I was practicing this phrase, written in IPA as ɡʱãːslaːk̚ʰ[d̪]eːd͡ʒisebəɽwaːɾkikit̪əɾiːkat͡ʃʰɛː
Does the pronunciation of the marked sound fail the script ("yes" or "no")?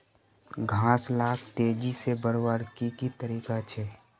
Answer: yes